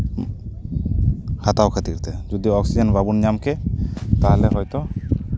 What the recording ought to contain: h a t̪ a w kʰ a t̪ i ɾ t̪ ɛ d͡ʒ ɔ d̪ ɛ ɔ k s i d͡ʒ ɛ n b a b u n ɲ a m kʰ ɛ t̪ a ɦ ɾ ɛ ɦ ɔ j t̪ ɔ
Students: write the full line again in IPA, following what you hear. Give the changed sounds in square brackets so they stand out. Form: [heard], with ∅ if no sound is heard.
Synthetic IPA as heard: h a t̪ a w kʰ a t̪ i ɾ t̪ ɛ d͡ʒ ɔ d̪ [i] ɔ k s i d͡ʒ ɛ n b a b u n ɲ a m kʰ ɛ t̪ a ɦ [l] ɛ ɦ ɔ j t̪ ɔ